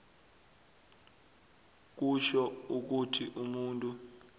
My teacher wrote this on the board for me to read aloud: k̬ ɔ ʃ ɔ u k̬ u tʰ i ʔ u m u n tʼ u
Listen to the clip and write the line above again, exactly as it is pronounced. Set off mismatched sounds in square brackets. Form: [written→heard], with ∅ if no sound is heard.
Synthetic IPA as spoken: k̬ [ɔ→u] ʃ ɔ u k̬ u tʰ i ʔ u m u n tʼ u